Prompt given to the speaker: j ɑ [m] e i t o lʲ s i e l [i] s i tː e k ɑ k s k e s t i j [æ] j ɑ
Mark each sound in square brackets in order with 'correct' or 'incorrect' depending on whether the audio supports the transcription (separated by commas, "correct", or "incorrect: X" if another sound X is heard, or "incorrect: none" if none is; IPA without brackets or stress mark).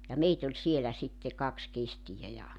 correct, incorrect: æ, correct